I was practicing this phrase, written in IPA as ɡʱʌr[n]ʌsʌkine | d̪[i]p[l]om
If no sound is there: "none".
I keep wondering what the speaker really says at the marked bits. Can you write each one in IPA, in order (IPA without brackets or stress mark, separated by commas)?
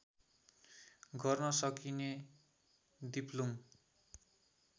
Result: n, i, l